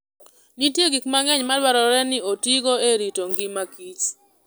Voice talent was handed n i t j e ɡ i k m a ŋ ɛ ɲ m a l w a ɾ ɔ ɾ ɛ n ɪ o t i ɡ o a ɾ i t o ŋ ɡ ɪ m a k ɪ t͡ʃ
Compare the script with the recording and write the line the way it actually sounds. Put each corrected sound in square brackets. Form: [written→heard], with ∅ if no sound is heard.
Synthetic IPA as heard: n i t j e ɡ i k m a ŋ ɛ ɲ m a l w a ɾ ɔ ɾ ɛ n ɪ o t i ɡ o [a→e] ɾ i t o ŋ ɡ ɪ m a k [ɪ→i] t͡ʃ